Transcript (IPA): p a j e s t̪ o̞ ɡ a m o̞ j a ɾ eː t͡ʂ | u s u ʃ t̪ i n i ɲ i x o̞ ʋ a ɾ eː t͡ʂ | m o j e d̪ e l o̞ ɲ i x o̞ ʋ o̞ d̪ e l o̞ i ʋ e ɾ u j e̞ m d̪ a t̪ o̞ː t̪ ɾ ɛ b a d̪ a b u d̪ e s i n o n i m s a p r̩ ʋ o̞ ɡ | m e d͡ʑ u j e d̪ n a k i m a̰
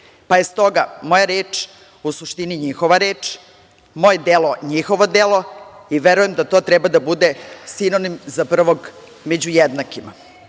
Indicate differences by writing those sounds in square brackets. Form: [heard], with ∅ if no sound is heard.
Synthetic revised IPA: p a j e s t̪ o̞ ɡ a m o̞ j a ɾ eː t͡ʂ | u s u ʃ t̪ i n i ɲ i x o̞ ʋ a ɾ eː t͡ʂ | m o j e d̪ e l o̞ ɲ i x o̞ ʋ o̞ d̪ e l o̞ i ʋ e ɾ u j e̞ m d̪ a t̪ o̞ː t̪ ɾ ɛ b a d̪ a b u d̪ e s i n o n i m [z] a p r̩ ʋ o̞ ɡ | m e d͡ʑ u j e d̪ n a k i m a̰